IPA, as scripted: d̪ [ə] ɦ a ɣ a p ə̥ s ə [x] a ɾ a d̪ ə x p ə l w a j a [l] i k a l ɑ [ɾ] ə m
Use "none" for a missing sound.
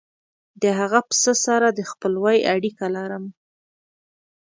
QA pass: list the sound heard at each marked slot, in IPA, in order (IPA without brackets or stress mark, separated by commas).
ə, s, ɽ, ɾ